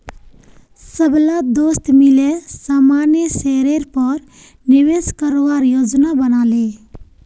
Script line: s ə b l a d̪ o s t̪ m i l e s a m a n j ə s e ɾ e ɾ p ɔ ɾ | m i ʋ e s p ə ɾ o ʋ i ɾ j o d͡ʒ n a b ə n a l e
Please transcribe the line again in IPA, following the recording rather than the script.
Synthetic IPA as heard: s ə b l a d̪ o s t̪ m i l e s a m a n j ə s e ɾ e ɾ p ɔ ɾ | n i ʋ e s k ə ɾ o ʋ a ɾ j o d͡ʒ n a b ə n a l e